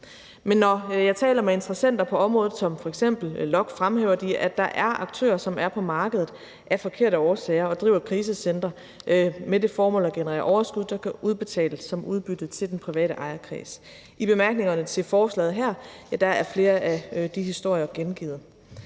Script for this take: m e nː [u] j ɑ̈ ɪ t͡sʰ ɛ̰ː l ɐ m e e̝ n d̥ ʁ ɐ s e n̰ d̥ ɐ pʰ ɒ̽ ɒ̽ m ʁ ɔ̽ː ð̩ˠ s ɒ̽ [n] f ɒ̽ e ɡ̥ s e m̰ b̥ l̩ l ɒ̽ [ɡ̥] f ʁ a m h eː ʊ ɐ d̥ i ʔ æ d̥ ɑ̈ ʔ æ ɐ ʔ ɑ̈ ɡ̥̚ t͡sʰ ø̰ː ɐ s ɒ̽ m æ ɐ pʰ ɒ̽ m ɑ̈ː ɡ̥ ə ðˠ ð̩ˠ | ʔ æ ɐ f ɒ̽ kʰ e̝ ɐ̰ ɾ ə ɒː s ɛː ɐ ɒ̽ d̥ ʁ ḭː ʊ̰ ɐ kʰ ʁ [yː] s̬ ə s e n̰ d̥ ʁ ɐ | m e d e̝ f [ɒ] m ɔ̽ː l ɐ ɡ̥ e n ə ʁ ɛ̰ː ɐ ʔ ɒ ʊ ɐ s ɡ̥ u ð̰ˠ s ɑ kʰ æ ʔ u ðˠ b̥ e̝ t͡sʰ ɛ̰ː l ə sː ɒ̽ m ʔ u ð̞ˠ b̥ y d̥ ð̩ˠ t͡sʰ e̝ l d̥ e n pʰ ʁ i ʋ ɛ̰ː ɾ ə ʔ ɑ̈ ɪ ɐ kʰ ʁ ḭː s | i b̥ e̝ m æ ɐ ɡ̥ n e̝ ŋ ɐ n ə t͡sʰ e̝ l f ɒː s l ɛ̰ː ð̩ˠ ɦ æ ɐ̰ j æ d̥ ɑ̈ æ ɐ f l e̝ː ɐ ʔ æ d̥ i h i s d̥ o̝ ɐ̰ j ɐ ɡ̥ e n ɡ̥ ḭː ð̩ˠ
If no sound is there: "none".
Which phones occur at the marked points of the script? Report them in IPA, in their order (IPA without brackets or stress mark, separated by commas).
ɒ, m, ɡ̥, iː, ɒː